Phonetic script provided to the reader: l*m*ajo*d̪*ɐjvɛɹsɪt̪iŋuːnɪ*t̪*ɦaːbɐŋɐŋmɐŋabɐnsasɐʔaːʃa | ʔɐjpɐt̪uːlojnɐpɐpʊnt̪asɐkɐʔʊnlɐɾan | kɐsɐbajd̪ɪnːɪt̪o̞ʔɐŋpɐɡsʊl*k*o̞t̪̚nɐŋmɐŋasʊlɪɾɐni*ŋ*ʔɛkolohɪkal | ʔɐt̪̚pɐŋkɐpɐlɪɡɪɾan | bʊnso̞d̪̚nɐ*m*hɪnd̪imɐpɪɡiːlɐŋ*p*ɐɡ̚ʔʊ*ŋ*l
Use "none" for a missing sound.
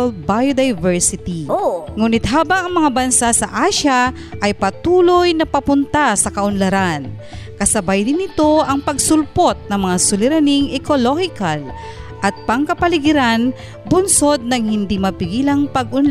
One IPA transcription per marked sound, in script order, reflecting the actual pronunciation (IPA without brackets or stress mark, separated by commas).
b, d̪, t̪, p, ŋ, ŋ, p, n